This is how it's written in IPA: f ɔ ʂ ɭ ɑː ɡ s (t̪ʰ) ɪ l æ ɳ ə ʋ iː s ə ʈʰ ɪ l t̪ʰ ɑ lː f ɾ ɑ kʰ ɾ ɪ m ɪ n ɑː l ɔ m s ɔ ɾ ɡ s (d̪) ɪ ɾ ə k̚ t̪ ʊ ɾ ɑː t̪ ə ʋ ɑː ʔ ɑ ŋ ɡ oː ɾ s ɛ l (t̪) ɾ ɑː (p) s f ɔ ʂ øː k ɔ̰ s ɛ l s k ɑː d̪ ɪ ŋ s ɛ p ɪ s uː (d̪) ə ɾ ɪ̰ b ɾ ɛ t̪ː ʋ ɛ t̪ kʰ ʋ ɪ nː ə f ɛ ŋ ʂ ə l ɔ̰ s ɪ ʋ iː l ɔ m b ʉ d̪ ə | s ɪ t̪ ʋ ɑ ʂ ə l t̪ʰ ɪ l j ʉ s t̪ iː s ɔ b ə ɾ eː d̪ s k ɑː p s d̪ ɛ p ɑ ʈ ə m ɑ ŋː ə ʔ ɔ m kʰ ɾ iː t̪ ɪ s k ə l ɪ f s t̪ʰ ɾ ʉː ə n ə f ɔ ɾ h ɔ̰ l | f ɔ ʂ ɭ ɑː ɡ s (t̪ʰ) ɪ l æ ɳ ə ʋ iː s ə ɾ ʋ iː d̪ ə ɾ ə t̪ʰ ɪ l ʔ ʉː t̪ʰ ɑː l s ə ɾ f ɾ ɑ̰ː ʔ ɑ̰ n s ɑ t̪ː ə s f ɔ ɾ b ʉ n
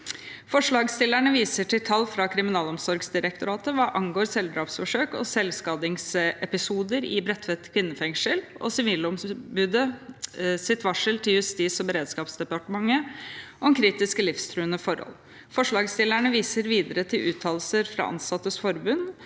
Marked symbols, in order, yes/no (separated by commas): no, yes, no, yes, yes, no